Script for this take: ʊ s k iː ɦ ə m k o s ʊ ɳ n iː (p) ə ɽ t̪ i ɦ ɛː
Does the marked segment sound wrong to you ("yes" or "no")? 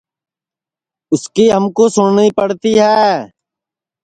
no